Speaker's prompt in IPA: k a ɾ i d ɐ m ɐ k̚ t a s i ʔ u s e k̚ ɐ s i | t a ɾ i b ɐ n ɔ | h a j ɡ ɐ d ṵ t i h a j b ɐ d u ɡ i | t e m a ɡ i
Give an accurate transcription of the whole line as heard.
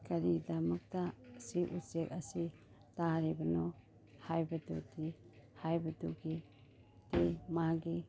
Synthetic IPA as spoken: k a ɾ i d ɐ m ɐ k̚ t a s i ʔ u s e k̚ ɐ s i | t a ɾ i b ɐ n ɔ | h a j b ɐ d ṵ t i h a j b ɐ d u ɡ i | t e m a ɡ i